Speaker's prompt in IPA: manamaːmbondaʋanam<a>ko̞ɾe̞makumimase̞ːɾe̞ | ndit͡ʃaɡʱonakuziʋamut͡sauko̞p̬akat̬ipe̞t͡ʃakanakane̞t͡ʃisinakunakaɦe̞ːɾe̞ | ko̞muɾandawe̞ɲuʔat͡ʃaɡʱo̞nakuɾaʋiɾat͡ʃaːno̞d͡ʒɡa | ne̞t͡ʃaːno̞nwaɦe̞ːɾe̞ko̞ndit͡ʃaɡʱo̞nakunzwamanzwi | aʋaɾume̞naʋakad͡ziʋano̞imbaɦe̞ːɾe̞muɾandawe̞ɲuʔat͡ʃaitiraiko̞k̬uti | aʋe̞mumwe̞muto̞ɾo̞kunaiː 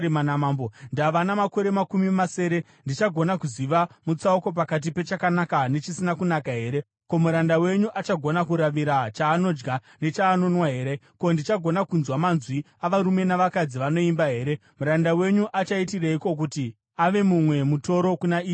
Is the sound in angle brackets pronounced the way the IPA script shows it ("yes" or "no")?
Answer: yes